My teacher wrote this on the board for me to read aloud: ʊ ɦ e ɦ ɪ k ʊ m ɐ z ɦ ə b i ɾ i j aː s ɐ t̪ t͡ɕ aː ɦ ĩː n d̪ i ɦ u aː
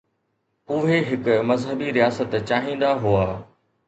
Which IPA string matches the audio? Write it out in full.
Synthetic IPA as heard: ʊ ɦ e ɦ ɪ k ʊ m ɐ z ɦ ə b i ɾ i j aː s ə t̪ t͡ɕ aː ɦ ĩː n d̪ a ɦ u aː